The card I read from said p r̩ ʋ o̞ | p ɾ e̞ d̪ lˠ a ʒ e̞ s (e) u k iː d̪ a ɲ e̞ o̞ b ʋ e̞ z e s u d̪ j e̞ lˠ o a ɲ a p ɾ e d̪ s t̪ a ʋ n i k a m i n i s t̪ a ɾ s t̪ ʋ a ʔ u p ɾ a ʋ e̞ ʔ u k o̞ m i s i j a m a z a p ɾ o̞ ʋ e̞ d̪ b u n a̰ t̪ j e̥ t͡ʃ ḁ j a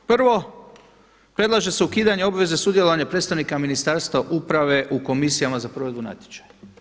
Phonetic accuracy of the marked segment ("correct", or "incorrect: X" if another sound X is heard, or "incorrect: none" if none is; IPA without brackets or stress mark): correct